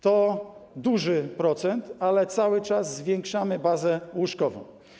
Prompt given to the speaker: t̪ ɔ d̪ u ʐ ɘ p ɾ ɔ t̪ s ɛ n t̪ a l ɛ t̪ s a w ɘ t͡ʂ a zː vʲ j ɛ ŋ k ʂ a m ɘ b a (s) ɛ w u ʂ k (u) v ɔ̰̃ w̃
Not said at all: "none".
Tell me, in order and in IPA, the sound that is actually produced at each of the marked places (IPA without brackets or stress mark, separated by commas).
z, ɔ